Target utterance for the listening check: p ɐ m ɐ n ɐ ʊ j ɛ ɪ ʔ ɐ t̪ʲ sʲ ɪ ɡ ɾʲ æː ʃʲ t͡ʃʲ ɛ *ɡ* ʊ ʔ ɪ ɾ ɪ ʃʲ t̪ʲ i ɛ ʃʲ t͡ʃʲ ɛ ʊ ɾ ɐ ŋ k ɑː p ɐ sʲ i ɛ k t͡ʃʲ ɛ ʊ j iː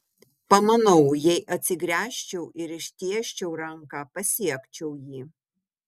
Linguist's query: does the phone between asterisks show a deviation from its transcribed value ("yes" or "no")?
yes